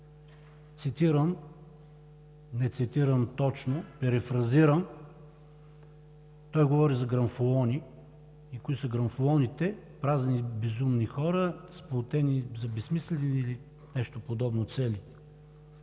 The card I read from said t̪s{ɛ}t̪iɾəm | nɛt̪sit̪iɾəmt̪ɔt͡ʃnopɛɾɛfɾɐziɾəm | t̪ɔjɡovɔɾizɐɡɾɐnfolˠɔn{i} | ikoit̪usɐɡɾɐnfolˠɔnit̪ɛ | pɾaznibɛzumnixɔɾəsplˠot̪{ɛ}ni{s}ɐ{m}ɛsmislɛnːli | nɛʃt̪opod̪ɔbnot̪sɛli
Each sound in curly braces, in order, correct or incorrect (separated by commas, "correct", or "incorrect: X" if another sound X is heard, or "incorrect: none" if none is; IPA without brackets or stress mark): incorrect: i, correct, correct, incorrect: z, incorrect: b